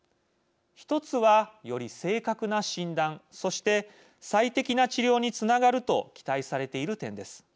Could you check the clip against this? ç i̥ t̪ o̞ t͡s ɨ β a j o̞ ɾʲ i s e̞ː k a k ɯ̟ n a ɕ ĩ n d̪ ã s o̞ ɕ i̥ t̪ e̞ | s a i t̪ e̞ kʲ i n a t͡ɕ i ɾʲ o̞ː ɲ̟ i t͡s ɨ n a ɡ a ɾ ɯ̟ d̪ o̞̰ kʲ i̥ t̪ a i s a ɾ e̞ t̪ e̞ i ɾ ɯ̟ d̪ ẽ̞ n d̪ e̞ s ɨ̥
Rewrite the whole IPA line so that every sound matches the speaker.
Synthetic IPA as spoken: ç i̥ t̪ o̞ t͡s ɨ β a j o̞ ɾʲ i s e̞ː k a k ɯ̟ n a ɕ ĩ n d̪ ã s o̞ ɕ i̥ t̪ e̞ | s a i t̪ e̞ kʲ i n a t͡ɕ i ɾʲ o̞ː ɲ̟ i t͡s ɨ n a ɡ a ɾ ɯ̟ t̪ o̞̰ kʲ i̥ t̪ a i s a ɾ e̞ t̪ e̞ i ɾ ɯ̟ t̪ ẽ̞ n d̪ e̞ s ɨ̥

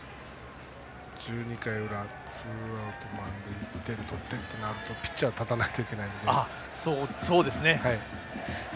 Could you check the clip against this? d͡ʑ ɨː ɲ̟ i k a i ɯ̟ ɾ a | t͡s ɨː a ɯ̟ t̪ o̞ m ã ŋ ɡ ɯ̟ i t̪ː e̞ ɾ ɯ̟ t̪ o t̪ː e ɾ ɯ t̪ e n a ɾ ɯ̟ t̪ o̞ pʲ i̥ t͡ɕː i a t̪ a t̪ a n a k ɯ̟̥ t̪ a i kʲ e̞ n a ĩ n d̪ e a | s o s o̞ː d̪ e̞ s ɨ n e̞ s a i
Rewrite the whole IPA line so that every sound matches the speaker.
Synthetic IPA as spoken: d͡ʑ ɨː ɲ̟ i k a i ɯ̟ ɾ a | t͡s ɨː a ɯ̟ t̪ o̞ m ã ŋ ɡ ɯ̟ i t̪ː e̞ ɾ ɯ̟ t̪ o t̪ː e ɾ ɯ t̪ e n a ɾ ɯ̟ t̪ o̞ pʲ i̥ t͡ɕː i a t̪ a t̪ a n a k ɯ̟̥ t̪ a i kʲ e̞ n a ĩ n d̪ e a | s o s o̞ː d̪ e̞ s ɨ n e̞ h a i

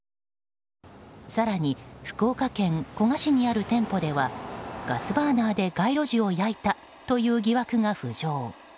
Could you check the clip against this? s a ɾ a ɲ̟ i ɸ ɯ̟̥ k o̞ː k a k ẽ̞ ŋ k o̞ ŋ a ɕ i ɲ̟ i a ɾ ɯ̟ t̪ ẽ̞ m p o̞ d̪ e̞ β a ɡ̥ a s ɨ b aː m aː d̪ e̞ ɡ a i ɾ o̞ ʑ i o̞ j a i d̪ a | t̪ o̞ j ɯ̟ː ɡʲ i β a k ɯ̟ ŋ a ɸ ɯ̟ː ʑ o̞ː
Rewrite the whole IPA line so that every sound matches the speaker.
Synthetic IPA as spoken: s a ɾ a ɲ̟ i ɸ ɯ̟̥ k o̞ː k a k ẽ̞ ŋ k o̞ ŋ a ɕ i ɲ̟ i a ɾ ɯ̟ t̪ ẽ̞ m p o̞ d̪ e̞ β a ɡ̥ a s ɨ b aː n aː d̪ e̞ ɡ a i ɾ o̞ ʑ i o̞ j a i t̪ a | t̪ o̞ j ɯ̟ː ɡʲ i β a k ɯ̟ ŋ a ɸ ɯ̟ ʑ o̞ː

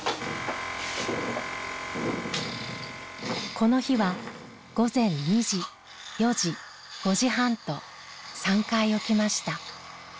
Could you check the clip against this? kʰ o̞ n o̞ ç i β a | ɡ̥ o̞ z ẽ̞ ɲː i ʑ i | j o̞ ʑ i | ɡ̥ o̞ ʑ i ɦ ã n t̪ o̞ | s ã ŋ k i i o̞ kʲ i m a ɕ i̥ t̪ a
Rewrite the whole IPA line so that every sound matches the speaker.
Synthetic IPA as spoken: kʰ o̞ n o̞ ç i β a | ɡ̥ o̞ z ẽ̞ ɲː i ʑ i | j o̞ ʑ i | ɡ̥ o̞ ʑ i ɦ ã n t̪ o̞ | s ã ŋ k a i o̞ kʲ i m a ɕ i̥ t̪ a

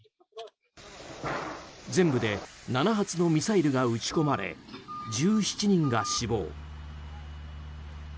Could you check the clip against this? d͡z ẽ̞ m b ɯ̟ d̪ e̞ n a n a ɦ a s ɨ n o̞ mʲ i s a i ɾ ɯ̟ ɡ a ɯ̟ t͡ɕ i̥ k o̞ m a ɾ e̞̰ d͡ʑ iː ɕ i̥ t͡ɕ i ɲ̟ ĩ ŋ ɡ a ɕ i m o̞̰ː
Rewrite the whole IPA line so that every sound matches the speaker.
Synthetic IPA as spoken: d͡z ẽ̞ m b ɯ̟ d̪ e̞ n a n a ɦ a t͡s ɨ n o̞ mʲ i s a i ɾ ɯ̟ ɡ a ɯ̟ t͡ɕ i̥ k o̞ m a ɾ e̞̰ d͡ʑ ɨː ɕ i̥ t͡ɕ i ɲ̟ ĩ ŋ ɡ a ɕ i b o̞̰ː

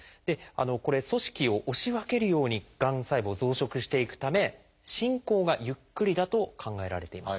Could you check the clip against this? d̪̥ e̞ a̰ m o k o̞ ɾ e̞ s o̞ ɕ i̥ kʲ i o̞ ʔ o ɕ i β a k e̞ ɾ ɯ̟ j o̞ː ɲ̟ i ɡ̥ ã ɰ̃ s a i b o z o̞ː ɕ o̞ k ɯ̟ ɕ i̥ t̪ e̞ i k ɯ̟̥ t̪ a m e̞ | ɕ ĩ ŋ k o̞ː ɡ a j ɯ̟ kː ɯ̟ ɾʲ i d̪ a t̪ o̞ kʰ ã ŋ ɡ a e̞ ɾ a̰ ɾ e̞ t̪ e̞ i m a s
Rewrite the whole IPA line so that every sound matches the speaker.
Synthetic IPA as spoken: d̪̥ e̞ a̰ n o k o̞ ɾ e̞ s o̞ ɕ i̥ kʲ i o̞ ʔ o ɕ i β a k e̞ ɾ ɯ̟ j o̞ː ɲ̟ i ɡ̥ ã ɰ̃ s a i b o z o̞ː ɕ o̞ k ɯ̟ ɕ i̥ t̪ e̞ i k ɯ̟̥ t̪ a m e̞ | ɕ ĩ ŋ k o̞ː ɡ a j ɯ̟ kː ɯ̟ ɾʲ i d̪ a t̪ o̞ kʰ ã ŋ ɡ a e̞ ɾ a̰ ɾ e̞ t̪ e̞ i m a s

